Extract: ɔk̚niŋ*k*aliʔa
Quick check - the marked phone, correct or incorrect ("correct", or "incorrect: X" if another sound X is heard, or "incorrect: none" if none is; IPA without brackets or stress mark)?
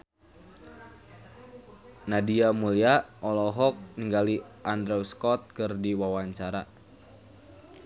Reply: incorrect: ɡ